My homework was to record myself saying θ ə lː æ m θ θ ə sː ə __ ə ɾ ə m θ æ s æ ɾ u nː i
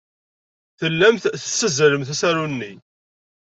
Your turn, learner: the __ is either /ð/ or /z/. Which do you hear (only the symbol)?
z